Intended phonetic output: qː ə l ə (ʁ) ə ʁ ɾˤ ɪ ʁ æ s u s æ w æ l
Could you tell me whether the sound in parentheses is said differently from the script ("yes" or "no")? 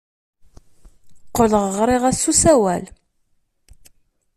no